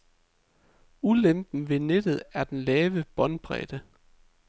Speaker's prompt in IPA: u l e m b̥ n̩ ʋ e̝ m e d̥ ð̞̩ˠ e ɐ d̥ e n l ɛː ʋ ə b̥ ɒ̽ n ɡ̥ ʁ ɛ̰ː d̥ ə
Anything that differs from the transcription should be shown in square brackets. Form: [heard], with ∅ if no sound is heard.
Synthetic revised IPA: u l e m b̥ n̩ ʋ e̝ [n] e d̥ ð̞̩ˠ [æ] ɐ d̥ e n l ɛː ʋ ə b̥ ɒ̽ n [b̥] ʁ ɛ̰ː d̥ ə